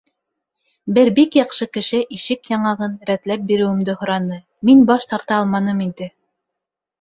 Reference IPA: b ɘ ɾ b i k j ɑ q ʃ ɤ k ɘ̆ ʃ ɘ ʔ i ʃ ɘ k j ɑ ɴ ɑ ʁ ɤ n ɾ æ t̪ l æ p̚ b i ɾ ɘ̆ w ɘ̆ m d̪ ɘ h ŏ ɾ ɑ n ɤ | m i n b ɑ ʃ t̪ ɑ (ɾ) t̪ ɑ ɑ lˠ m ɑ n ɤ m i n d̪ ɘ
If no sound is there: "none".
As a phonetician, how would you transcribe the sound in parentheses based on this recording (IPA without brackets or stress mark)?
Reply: ɾ